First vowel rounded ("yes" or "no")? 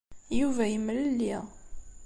yes